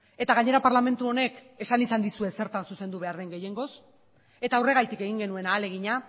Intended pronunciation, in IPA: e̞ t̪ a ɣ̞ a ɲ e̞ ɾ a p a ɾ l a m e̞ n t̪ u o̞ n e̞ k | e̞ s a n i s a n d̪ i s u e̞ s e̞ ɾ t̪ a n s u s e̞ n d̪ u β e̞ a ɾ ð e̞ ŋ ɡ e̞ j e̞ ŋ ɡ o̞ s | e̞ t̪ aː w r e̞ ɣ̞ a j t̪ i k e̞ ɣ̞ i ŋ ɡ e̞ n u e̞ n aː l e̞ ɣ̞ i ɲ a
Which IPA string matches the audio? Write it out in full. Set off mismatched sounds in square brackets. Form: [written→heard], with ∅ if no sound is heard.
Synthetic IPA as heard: e̞ t̪ a ɣ̞ a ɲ e̞ ɾ a p a ɾ l a m e̞ n t̪ u o̞ n e̞ k | e̞ s a n i s a n d̪ i s u e̞ s e̞ ɾ t̪ a n s u s e̞ n d̪ u β e̞ a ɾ ð e̞ ŋ ɡ e̞ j e̞ ŋ ɡ o̞ s | e̞ t̪ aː w r e̞ ɣ̞ a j t̪ i k e̞ ɣ̞ i ŋ ɡ e̞ n u e̞ n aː l e̞ ɣ̞ i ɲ a